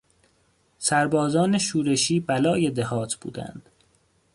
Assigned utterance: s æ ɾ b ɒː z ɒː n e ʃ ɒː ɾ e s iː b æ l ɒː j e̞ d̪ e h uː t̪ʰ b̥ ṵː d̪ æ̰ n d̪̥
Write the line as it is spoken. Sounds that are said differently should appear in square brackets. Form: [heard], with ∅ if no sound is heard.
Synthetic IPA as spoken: s æ ɾ b ɒː z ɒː n e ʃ [uː] ɾ e [ʃ] iː b æ l ɒː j e̞ d̪ e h [ɒː] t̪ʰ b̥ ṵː d̪ æ̰ n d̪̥